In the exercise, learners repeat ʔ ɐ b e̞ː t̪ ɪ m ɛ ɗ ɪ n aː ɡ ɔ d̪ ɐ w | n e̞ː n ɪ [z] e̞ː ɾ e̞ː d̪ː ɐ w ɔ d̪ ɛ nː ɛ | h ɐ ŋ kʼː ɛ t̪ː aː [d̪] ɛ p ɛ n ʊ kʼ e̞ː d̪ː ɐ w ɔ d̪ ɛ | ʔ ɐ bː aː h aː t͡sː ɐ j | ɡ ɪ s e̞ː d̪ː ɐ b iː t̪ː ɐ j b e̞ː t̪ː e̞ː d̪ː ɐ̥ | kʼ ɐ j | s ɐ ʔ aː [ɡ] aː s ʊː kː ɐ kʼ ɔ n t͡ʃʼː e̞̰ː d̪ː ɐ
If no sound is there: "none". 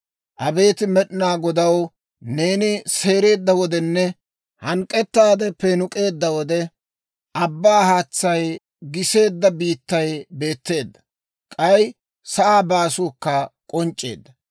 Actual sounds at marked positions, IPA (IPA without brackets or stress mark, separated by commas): s, d̪, b